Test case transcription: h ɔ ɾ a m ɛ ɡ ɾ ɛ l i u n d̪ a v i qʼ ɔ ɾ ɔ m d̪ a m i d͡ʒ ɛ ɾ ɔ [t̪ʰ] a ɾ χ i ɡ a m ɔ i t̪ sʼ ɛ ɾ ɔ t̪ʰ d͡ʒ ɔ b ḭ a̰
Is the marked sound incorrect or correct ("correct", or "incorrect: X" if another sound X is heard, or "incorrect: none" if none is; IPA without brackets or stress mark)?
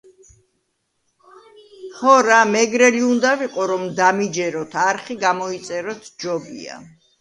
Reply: correct